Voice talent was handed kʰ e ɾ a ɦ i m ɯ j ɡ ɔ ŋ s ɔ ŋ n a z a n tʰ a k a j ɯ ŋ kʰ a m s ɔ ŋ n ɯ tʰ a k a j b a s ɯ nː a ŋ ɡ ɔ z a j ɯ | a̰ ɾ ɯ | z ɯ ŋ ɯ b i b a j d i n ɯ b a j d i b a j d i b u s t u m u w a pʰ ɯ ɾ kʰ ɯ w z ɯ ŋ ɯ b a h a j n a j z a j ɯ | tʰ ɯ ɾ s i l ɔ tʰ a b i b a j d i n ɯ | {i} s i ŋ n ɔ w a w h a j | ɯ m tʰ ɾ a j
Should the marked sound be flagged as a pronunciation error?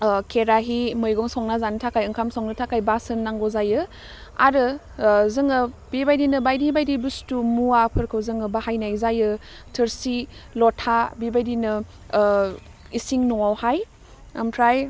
no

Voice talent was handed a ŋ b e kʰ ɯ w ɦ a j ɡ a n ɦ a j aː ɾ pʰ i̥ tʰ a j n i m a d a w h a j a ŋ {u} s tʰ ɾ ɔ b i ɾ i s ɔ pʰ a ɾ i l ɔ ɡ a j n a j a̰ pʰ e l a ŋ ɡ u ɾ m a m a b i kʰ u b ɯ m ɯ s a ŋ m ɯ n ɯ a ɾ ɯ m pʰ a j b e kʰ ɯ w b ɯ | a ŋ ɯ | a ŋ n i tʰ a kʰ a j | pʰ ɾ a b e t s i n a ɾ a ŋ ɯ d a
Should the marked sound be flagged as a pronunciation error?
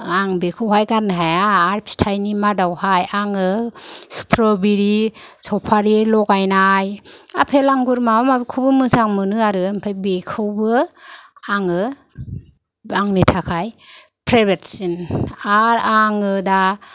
yes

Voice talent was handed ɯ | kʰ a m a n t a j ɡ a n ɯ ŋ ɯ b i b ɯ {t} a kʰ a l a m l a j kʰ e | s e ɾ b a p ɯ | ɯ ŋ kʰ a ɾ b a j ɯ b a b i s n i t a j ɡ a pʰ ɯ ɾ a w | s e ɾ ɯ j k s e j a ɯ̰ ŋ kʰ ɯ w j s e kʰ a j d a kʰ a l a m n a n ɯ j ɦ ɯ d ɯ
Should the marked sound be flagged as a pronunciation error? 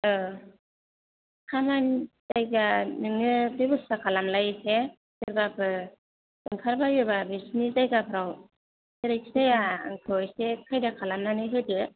yes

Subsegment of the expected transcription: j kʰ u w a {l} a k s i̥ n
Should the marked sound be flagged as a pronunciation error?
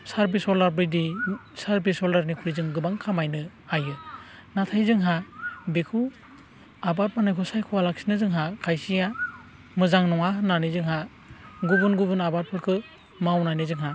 no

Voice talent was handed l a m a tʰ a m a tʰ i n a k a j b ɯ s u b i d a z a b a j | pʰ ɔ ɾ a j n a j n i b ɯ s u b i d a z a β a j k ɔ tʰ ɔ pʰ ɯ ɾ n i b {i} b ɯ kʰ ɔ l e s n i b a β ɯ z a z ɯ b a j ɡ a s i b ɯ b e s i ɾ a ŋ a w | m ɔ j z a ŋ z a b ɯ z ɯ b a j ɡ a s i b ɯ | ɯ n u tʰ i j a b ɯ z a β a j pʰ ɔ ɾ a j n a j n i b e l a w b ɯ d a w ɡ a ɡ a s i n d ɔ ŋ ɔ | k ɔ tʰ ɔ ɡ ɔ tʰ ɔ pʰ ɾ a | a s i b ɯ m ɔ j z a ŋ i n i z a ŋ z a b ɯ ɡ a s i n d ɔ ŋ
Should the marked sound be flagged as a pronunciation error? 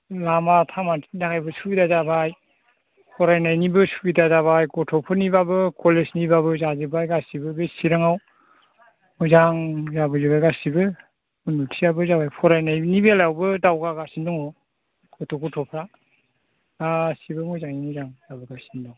yes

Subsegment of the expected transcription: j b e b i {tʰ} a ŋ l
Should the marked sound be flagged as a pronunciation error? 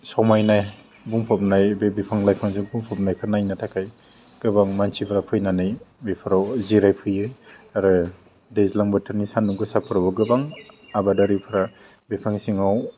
yes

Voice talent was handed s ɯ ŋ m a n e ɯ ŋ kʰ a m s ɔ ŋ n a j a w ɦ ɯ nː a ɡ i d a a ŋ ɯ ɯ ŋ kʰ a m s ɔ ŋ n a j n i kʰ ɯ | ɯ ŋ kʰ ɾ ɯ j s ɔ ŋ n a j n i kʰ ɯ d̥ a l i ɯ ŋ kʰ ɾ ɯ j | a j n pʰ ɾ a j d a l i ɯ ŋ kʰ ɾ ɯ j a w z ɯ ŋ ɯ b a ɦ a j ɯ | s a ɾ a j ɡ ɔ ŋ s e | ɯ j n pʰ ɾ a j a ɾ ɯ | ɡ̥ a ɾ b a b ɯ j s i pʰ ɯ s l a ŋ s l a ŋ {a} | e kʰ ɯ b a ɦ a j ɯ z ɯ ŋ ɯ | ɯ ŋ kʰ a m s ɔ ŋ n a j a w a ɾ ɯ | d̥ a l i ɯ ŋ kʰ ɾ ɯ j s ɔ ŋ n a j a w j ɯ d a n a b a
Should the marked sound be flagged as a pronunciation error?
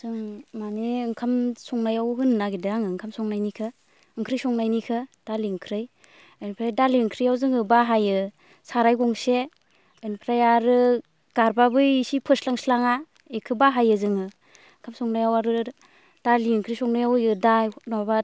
no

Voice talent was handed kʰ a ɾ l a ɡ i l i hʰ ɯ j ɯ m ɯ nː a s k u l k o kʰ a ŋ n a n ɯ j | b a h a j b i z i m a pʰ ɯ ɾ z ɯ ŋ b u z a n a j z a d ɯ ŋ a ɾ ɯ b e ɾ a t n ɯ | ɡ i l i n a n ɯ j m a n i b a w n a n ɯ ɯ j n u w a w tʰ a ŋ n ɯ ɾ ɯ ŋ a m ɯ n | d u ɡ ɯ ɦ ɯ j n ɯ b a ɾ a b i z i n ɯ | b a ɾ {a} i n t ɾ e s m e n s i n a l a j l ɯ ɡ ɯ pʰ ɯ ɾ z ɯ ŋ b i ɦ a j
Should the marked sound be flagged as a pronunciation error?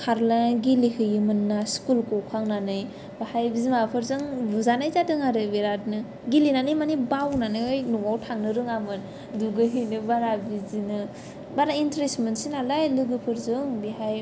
no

